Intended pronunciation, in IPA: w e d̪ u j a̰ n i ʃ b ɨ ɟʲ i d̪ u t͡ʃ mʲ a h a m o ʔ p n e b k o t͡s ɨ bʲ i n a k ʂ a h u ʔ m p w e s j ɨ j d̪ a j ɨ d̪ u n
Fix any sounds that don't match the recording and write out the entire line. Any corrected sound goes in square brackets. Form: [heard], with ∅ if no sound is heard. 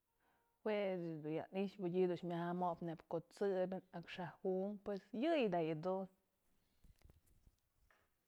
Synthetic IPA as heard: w e d̪ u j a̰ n i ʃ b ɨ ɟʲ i d̪ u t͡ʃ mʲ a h a m o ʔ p n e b k o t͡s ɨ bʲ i n a k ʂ a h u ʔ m p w e s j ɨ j d̪ a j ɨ d̪ u n